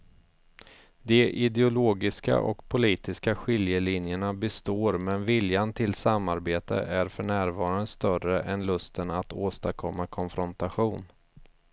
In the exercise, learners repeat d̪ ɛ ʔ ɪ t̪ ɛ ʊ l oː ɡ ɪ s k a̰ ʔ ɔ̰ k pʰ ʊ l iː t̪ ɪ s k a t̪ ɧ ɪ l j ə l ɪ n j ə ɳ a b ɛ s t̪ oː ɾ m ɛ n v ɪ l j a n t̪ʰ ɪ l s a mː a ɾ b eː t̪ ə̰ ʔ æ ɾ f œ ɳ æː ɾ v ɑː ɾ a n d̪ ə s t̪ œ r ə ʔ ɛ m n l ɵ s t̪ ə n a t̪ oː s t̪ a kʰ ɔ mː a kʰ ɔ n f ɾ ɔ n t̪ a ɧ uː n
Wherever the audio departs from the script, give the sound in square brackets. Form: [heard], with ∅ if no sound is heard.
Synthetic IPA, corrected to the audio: d̪ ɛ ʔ ɪ [d̪] ɛ ʊ l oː ɡ ɪ s k a̰ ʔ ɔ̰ k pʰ ʊ l iː t̪ ɪ s k a [∅] ɧ ɪ l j ə l ɪ n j ə ɳ a b ɛ s t̪ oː ɾ m ɛ n v ɪ l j a n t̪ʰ ɪ l s a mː a ɾ b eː t̪ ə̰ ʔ æ ɾ f œ ɳ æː ɾ v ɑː ɾ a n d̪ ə s t̪ œ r ə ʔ ɛ [∅] n l ɵ s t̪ ə n a t̪ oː s t̪ a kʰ ɔ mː a kʰ ɔ n f ɾ ɔ n t̪ a ɧ uː n